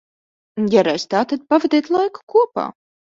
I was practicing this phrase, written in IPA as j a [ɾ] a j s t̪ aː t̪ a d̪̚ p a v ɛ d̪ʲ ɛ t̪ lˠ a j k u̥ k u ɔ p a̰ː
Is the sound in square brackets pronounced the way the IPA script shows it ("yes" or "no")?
yes